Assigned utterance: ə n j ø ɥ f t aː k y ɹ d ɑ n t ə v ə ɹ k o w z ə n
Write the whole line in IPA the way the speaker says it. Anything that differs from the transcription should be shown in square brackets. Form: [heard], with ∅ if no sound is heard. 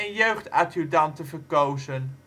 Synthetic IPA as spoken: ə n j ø ɥ [χ] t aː [t] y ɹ d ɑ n t ə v ə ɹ k o w z ə n